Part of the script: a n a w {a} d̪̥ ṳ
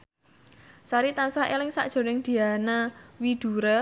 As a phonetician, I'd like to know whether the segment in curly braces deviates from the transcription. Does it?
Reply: yes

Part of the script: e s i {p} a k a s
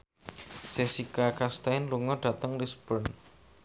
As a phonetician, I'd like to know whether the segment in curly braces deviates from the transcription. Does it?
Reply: yes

